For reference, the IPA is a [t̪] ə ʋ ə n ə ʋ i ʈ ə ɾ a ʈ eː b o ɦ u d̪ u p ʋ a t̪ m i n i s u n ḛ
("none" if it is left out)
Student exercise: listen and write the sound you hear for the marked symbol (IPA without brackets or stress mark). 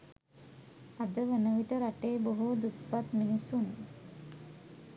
d̪